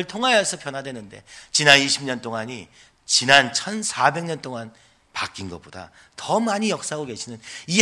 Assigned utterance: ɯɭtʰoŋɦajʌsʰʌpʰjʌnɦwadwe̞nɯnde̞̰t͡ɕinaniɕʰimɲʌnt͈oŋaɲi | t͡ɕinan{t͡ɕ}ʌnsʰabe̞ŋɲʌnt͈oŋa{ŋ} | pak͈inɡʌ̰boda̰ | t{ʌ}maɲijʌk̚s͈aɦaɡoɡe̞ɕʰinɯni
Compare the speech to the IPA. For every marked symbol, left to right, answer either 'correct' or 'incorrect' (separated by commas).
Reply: incorrect, incorrect, correct